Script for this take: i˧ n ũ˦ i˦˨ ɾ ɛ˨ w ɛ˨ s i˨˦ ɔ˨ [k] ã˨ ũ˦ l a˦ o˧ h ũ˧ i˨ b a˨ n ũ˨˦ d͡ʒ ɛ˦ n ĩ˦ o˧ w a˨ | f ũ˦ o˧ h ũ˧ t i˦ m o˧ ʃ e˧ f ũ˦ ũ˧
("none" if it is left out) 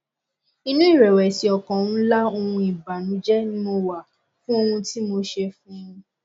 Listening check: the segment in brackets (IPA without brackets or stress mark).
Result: k